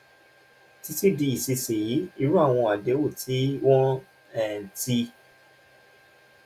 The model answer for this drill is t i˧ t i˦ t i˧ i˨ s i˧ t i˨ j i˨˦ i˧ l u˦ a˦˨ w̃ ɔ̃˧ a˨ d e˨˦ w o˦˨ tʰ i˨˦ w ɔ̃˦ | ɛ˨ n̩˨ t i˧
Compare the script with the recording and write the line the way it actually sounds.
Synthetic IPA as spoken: t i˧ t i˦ d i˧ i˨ s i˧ s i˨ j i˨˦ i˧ ɾ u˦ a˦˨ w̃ ɔ̃˧ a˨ d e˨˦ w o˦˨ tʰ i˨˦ w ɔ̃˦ | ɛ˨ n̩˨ t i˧